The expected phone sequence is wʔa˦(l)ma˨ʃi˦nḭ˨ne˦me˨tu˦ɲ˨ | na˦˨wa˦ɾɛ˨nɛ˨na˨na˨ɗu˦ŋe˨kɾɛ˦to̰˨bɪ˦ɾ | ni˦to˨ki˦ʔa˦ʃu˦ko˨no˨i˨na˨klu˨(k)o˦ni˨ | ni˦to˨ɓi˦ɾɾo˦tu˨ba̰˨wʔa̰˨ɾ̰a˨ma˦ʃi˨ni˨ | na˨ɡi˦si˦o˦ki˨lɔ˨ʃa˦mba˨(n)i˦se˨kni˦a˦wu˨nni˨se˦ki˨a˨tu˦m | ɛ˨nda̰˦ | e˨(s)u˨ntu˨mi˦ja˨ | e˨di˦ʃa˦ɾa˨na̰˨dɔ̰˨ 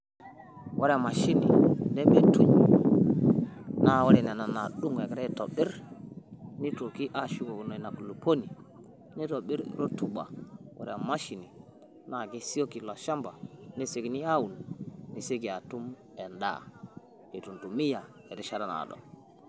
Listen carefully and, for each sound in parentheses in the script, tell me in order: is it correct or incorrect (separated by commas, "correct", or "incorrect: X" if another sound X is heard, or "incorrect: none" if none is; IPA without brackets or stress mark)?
incorrect: ɾ, incorrect: p, correct, incorrect: t